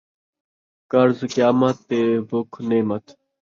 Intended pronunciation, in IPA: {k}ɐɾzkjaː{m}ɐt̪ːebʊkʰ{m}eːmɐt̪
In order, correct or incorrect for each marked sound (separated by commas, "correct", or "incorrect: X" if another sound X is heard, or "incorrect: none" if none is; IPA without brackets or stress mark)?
correct, correct, incorrect: n